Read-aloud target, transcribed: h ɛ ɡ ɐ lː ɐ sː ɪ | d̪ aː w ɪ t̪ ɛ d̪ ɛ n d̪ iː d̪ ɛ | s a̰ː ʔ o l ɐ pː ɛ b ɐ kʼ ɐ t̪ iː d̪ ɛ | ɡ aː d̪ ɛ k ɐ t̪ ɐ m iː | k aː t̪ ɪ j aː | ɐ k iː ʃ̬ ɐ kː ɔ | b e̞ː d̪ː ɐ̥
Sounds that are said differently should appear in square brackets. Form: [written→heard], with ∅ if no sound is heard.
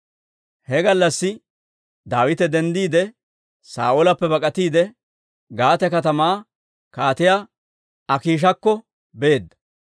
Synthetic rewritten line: h ɛ ɡ ɐ lː ɐ sː ɪ | d̪ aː w ɪ t̪ ɛ d̪ ɛ n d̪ iː d̪ ɛ | s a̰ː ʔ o l ɐ pː ɛ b ɐ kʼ ɐ t̪ iː d̪ ɛ | ɡ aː [d̪→t̪] ɛ k ɐ t̪ ɐ m [iː→aː] | k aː t̪ ɪ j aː | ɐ k iː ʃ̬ ɐ kː ɔ | b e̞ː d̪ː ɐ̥

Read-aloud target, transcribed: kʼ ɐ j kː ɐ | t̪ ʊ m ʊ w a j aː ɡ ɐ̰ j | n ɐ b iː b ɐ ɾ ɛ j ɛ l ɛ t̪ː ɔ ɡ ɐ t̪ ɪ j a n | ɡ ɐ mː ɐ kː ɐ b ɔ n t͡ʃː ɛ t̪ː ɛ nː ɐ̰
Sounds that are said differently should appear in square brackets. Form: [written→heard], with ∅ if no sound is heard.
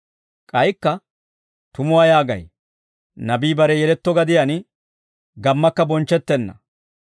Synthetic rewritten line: kʼ ɐ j kː ɐ | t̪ ʊ m ʊ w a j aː ɡ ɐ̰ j | n ɐ b iː b ɐ ɾ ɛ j ɛ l ɛ t̪ː ɔ ɡ ɐ [t̪→d̪] ɪ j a n | ɡ ɐ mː ɐ kː ɐ b ɔ n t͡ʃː ɛ t̪ː ɛ nː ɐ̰

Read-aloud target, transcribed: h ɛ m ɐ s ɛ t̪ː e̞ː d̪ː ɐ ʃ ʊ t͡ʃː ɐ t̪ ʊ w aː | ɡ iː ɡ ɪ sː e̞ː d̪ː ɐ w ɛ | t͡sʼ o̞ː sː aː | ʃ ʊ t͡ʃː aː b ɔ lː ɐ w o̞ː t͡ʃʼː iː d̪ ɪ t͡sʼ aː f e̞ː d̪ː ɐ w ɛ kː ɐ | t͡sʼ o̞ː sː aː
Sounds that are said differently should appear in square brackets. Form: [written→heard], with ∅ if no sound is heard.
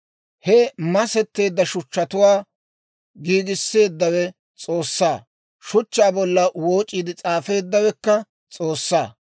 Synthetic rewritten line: h ɛ m ɐ s ɛ t̪ː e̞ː d̪ː ɐ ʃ ʊ t͡ʃː ɐ t̪ ʊ w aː | ɡ iː ɡ ɪ sː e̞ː d̪ː ɐ w ɛ | t͡sʼ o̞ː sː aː | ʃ ʊ t͡ʃː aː b ɔ lː ɐ w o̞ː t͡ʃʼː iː d̪ ɪ t͡sʼ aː f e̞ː d̪ː ɐ w ɛ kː ɐ | t͡sʼ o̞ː sː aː

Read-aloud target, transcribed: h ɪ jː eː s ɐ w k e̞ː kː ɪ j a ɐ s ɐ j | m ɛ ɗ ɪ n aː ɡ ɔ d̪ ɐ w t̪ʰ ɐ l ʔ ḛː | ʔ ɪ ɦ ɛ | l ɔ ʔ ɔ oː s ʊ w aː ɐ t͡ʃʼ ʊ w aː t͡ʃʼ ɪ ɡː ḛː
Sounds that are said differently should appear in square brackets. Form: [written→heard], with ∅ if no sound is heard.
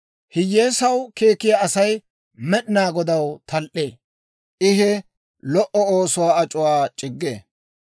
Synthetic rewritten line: h ɪ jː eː s ɐ w k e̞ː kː ɪ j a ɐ s ɐ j | m ɛ ɗ ɪ n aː ɡ ɔ d̪ ɐ w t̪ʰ ɐ l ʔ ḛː | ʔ ɪ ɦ ɛ | l ɔ ʔ ɔ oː s ʊ w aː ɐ t͡ʃʼ ʊ w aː t͡ʃʼ ɪ ɡː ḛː

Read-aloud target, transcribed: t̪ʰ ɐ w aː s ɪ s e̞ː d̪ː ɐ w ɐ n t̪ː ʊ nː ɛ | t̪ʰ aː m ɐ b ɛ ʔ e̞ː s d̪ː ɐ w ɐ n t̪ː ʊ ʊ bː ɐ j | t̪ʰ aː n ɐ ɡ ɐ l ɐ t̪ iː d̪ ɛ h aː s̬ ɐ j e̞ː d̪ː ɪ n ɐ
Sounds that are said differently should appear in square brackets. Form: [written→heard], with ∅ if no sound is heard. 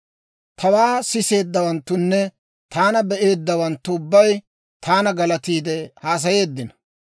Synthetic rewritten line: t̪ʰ ɐ w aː s ɪ s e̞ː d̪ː ɐ w ɐ n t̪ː ʊ nː ɛ | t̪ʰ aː [m→n] ɐ b ɛ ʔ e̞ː [s→∅] d̪ː ɐ w ɐ n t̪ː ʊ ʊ bː ɐ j | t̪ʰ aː n ɐ ɡ ɐ l ɐ t̪ iː d̪ ɛ h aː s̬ ɐ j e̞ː d̪ː ɪ n ɐ

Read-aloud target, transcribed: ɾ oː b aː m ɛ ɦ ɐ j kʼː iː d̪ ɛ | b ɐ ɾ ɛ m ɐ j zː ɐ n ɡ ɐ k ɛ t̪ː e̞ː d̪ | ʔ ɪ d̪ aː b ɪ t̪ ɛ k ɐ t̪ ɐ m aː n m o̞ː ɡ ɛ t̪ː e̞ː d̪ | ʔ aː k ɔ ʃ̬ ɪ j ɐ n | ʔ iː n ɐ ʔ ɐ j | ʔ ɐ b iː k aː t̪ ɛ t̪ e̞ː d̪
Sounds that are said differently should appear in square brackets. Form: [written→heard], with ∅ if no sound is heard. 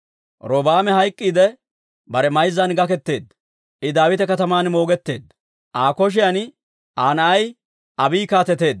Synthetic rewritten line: ɾ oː b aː m ɛ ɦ ɐ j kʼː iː d̪ ɛ | b ɐ ɾ ɛ m ɐ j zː ɐ n ɡ ɐ k ɛ t̪ː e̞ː d̪ | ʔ ɪ d̪ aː [b→w] ɪ t̪ ɛ k ɐ t̪ ɐ m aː n m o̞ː ɡ ɛ t̪ː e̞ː d̪ | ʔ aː k ɔ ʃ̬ ɪ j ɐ n | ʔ [iː→aː] n ɐ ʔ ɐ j | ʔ ɐ b iː k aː t̪ ɛ t̪ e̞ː d̪

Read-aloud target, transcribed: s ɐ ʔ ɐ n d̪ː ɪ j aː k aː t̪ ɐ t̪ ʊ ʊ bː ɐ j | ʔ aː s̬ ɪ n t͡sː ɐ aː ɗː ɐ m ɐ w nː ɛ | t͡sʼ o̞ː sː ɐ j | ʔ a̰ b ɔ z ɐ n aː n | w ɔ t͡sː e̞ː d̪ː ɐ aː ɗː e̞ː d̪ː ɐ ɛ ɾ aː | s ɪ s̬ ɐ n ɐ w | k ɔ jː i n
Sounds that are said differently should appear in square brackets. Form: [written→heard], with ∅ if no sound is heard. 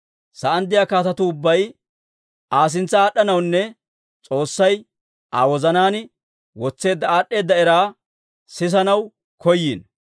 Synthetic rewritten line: s ɐ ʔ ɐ n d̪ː ɪ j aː k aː t̪ ɐ t̪ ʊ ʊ bː ɐ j | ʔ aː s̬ ɪ n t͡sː ɐ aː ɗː ɐ [m→n] ɐ w nː ɛ | t͡sʼ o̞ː sː ɐ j | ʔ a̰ [b→w] ɔ z ɐ n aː n | w ɔ t͡sː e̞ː d̪ː ɐ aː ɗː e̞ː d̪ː ɐ ɛ ɾ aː | s ɪ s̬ ɐ n ɐ w | k ɔ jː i n

